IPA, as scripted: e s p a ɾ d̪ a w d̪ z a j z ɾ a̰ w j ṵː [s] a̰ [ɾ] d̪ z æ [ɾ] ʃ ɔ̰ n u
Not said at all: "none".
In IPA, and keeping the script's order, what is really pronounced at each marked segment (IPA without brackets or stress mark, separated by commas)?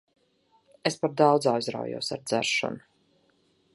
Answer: s, ɾ, ɾ